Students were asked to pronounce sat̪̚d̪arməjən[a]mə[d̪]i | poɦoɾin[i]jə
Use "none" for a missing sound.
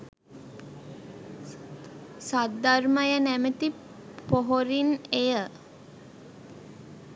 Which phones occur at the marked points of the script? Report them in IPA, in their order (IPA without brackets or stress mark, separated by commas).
æ, t̪, e